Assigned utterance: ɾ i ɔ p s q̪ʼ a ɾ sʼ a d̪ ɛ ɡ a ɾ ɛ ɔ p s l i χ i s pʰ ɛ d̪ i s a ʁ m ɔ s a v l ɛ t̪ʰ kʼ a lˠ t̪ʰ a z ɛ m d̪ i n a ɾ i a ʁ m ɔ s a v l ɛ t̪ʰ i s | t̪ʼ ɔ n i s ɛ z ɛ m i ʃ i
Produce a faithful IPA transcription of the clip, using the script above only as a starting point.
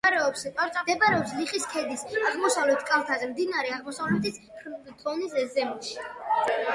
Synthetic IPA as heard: ɾ ɛ ɔ p s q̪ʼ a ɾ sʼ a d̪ ɛ b a ɾ ɛ ɔ p s l i χ i s kʰ ɛ d̪ i s a ʁ m ɔ s a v l ɛ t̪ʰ kʼ a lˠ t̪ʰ a z ɛ m d̪ i n a ɾ ɛ a ʁ m ɔ s a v l ɛ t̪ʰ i s | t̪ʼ ɔ n i s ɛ z ɛ m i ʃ i